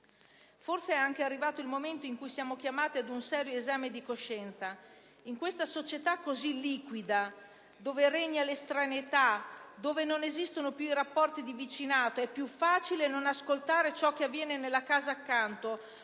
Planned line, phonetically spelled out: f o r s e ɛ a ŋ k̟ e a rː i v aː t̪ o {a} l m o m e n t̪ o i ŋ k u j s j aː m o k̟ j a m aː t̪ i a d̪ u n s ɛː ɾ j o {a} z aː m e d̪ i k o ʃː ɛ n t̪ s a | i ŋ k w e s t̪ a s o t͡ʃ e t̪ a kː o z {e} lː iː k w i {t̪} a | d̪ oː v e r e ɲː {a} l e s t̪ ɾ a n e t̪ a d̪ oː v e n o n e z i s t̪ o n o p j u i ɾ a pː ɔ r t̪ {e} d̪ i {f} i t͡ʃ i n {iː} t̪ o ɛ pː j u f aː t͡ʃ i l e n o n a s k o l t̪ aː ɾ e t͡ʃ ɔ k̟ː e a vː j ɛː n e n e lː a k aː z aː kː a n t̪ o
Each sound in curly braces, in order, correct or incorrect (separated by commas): incorrect, incorrect, incorrect, incorrect, correct, incorrect, incorrect, incorrect